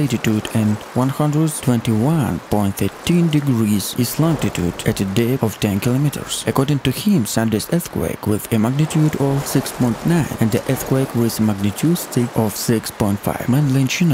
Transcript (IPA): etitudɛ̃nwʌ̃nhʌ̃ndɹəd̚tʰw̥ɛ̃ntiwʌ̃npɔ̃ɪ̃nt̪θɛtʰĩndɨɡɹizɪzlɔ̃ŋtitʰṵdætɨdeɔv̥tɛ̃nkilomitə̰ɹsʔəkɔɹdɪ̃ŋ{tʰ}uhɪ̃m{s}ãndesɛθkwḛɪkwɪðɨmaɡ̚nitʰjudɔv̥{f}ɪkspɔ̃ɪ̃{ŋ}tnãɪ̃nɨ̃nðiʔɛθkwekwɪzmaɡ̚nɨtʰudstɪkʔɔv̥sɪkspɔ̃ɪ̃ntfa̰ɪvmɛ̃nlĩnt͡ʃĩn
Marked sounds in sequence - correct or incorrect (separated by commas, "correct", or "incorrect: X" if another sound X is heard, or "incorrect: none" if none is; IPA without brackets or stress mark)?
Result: incorrect: t, correct, incorrect: s, incorrect: n